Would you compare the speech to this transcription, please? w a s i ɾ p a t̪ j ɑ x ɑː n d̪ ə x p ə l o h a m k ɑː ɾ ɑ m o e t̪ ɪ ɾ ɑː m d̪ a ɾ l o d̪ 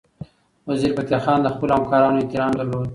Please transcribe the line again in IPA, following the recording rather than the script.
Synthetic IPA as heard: w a z i ɾ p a t̪ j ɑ x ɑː n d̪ ə x p ə l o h a m k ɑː ɾ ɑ n o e t̪ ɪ ɾ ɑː m d̪ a ɾ l o d̪